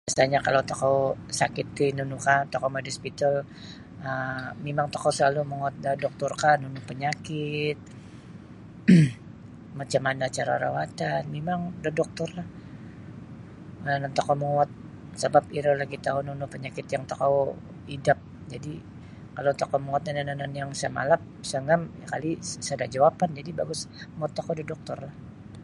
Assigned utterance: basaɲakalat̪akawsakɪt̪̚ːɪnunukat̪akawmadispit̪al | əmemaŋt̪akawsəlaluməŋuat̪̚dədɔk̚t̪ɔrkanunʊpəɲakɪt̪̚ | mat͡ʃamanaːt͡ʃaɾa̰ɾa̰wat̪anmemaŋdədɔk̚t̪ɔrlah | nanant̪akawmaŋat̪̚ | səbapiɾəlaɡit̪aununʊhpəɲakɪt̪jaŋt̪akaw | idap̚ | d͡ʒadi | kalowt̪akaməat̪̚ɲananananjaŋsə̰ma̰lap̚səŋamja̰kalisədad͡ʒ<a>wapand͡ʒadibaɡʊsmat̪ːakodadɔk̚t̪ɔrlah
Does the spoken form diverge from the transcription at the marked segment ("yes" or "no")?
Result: no